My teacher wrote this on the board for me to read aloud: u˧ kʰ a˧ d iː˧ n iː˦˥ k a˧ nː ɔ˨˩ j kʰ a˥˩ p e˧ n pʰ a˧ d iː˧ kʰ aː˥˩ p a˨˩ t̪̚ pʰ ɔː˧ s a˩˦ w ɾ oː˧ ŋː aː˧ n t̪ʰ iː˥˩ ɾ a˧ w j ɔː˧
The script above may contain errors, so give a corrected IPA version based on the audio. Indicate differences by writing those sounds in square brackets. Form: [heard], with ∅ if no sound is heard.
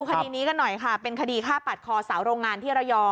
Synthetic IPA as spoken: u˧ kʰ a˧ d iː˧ n iː˦˥ k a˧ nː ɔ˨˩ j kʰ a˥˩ p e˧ n [kʰ] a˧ d iː˧ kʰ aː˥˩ p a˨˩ t̪̚ [kʰ] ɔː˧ s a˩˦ w ɾ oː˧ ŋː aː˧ n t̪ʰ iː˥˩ ɾ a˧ w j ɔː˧